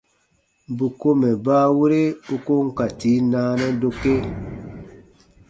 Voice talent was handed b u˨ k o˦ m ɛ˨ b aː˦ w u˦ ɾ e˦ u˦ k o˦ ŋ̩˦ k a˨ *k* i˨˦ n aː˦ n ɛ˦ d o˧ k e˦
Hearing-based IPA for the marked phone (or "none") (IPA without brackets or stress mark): t